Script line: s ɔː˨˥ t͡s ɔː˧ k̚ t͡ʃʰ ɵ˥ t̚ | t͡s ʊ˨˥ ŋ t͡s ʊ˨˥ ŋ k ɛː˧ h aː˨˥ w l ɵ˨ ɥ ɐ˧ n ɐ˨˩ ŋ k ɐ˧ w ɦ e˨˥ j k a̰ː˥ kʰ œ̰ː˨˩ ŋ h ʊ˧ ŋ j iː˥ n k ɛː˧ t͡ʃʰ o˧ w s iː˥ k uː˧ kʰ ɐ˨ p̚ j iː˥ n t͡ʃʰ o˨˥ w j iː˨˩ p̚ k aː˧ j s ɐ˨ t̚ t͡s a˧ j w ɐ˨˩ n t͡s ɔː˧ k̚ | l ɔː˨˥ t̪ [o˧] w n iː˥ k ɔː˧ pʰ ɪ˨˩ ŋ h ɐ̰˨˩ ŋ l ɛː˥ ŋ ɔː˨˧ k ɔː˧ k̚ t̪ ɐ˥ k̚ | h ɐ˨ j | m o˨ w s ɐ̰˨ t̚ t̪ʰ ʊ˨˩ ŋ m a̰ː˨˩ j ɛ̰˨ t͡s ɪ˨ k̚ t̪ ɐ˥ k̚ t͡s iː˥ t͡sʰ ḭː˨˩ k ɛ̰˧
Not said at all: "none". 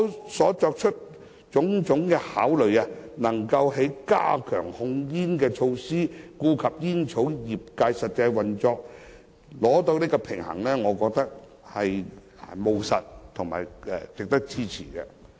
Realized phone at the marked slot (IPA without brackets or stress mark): o˧